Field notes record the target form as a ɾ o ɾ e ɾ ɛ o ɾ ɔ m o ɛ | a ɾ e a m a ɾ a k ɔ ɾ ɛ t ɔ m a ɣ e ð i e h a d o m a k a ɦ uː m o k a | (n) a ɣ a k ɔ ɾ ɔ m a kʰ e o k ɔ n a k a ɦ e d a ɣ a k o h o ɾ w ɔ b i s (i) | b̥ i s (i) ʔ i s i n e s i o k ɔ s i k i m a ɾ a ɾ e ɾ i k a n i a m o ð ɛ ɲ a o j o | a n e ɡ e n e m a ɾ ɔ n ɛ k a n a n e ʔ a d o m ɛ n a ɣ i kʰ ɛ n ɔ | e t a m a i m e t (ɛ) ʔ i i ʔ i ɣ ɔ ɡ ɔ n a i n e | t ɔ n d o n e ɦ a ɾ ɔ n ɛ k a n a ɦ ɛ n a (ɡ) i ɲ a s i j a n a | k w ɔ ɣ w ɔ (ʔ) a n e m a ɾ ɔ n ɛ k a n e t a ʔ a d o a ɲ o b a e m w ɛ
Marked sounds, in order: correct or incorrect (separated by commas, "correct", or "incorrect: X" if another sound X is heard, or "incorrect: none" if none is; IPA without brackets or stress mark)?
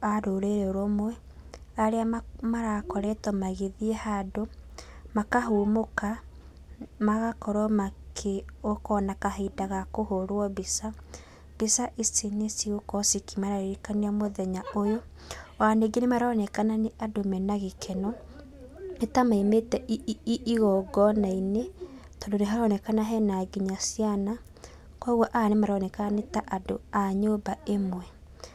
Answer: incorrect: m, incorrect: a, incorrect: a, correct, correct, correct